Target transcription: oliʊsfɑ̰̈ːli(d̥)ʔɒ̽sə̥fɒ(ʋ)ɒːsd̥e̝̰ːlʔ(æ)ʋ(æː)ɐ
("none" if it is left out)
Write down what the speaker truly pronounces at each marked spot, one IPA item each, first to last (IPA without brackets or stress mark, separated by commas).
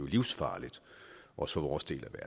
d̥, ʋ, æ, æ